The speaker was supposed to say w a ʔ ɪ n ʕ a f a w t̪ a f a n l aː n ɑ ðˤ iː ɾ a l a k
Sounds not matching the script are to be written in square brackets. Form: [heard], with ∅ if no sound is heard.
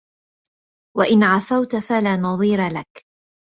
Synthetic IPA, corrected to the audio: w a ʔ ɪ n ʕ a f a w t̪ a f a [∅] l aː n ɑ ðˤ iː ɾ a l a k